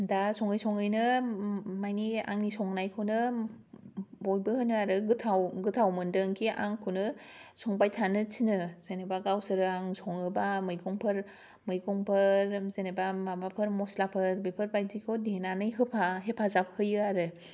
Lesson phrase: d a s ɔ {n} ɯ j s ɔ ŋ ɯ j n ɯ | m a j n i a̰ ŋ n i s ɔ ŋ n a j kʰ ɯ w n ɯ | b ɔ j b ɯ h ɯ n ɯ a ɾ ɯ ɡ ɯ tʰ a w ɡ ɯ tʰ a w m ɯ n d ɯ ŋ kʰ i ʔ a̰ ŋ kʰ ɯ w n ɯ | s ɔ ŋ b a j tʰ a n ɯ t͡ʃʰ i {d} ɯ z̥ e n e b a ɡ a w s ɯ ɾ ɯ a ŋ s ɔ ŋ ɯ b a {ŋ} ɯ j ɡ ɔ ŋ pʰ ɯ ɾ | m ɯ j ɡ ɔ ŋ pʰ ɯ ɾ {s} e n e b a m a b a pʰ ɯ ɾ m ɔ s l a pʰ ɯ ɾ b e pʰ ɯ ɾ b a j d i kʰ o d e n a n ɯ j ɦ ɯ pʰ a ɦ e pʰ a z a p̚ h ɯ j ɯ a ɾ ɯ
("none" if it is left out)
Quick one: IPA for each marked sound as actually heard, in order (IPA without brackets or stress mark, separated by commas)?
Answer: ŋ, n, m, z